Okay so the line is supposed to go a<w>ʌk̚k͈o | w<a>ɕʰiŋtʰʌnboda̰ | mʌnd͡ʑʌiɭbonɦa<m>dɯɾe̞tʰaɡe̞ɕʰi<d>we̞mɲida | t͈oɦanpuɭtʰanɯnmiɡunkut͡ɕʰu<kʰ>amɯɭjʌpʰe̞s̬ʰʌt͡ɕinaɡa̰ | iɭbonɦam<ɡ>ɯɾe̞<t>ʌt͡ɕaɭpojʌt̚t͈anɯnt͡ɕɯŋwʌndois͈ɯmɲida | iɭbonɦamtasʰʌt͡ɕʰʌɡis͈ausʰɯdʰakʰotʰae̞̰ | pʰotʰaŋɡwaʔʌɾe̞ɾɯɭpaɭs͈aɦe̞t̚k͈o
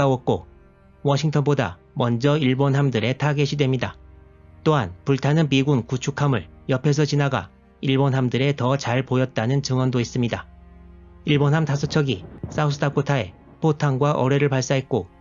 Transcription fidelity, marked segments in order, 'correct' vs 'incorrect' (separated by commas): correct, incorrect, correct, correct, correct, incorrect, correct